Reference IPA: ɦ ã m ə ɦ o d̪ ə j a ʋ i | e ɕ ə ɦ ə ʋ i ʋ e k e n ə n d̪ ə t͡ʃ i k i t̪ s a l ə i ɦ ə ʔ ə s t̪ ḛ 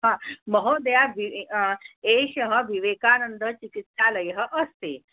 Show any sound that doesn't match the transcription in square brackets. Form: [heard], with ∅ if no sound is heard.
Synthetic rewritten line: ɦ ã m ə ɦ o d̪ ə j a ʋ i | e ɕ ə ɦ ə ʋ i ʋ e k [a] n ə n d̪ ə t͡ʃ i k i t̪ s a l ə [j] ɦ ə ʔ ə s t̪ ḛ